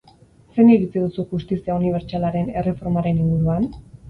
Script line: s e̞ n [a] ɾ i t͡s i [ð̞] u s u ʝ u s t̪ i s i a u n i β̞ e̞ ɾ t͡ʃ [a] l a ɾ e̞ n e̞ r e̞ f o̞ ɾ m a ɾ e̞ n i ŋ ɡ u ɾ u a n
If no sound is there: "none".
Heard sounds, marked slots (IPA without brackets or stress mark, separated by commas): i, ð̞, a